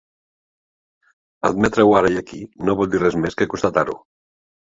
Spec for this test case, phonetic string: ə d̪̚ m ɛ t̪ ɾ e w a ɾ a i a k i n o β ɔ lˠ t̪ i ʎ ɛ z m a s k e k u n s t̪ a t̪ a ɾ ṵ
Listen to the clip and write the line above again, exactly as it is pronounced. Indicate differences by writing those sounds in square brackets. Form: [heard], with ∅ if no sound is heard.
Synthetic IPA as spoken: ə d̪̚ m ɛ t̪ ɾ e w a ɾ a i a k i n o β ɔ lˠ [d̪] i [r] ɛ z m [e] s k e k u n s t̪ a t̪ a ɾ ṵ